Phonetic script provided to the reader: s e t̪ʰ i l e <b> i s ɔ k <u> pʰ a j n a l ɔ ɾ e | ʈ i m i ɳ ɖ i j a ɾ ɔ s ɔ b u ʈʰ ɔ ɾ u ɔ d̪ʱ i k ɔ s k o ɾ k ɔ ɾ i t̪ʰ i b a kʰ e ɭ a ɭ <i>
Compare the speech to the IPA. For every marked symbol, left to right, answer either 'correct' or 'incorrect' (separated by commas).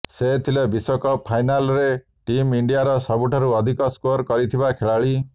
correct, incorrect, correct